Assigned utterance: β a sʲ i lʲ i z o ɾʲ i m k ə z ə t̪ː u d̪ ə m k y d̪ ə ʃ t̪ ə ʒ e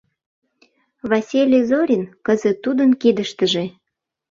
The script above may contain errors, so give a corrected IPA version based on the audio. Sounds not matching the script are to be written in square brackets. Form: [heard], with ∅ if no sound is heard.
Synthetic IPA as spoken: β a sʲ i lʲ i z o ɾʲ i [n] k ə z ə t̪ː u d̪ ə [n] k [i] d̪ ə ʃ t̪ ə ʒ e